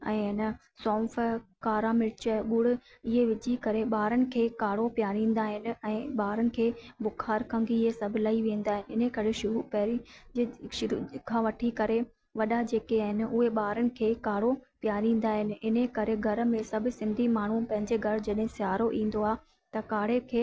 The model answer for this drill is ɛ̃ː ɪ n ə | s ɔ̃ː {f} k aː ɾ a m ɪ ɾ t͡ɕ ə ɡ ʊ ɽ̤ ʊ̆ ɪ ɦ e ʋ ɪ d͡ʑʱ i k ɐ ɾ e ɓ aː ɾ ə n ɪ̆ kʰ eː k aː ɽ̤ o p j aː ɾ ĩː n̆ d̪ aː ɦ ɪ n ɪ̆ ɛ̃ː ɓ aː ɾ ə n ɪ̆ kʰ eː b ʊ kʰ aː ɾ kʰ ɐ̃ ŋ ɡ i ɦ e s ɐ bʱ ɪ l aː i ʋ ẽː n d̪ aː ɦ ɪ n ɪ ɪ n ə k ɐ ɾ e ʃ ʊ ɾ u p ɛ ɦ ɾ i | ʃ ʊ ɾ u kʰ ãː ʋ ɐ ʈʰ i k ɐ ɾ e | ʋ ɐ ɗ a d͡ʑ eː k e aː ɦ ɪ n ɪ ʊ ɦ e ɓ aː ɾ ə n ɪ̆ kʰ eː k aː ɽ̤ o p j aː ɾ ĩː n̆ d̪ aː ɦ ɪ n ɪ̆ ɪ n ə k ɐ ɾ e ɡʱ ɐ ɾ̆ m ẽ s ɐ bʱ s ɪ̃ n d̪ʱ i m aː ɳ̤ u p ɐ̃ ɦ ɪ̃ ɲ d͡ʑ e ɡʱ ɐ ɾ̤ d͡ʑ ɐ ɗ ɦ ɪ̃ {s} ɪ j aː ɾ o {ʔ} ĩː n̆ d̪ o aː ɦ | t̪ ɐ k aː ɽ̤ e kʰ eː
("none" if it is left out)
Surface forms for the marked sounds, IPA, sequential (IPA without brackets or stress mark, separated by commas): f, s, ʔ